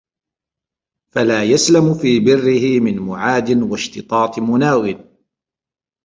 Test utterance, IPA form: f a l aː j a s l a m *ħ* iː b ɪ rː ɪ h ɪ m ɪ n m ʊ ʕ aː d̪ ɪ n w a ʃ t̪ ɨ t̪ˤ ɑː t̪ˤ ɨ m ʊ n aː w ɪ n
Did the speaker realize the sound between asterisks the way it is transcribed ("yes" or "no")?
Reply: no